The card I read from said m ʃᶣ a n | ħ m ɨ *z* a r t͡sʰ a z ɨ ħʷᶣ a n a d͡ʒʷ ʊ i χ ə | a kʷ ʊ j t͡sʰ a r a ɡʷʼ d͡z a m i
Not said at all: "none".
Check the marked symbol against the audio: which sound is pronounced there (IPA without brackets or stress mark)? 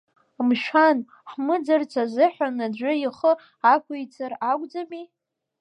d͡z